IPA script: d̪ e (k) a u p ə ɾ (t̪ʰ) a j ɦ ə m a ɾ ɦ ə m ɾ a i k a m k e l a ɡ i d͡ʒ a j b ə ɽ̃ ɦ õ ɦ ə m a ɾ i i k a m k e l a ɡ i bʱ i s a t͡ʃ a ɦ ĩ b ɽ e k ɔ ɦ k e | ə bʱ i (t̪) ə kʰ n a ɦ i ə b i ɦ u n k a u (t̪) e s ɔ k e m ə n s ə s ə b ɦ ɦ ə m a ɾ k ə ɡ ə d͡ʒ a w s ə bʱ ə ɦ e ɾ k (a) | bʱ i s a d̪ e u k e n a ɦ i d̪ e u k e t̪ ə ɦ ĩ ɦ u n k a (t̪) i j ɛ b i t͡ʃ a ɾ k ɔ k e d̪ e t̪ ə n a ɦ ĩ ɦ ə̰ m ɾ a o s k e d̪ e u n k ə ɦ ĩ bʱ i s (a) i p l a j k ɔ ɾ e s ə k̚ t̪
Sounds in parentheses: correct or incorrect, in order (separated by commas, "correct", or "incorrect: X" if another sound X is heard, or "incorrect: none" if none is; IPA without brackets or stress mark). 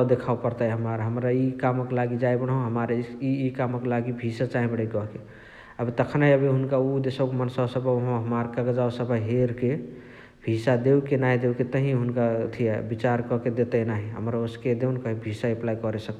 incorrect: kʰ, incorrect: t̪, correct, incorrect: d̪, incorrect: e, incorrect: t̪ʰ, correct